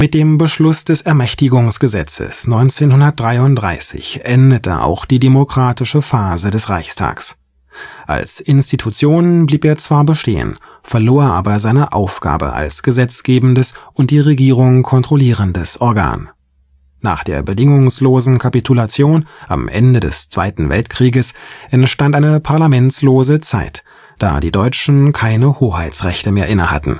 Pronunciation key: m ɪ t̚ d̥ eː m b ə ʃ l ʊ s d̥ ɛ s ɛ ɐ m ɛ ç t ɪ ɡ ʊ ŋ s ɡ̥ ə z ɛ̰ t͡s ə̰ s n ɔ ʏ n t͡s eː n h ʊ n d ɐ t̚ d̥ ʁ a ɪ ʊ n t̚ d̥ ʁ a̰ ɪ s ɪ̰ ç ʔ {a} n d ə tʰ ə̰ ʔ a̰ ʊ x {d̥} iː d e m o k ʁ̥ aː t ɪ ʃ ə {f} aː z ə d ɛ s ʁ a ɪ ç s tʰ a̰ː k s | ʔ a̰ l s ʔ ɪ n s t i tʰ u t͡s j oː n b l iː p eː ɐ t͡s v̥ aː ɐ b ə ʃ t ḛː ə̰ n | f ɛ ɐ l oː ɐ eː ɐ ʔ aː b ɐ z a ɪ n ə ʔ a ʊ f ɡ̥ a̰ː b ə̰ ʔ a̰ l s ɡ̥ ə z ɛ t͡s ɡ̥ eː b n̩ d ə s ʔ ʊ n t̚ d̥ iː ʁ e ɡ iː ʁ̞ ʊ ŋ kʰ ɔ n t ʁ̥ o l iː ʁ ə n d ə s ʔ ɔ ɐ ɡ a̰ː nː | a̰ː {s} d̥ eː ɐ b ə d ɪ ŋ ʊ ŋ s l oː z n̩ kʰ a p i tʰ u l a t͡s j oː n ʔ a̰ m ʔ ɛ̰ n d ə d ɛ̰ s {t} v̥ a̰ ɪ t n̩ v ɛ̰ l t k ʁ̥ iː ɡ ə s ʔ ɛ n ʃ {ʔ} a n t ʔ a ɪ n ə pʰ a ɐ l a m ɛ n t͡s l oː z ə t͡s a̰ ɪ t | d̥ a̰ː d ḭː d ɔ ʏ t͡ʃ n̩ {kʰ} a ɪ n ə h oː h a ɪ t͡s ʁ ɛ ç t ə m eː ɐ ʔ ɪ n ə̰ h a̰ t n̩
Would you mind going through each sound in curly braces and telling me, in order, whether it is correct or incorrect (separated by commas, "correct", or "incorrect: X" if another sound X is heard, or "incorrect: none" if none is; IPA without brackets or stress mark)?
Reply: incorrect: ɛ, correct, correct, incorrect: χ, incorrect: t͡s, incorrect: t, correct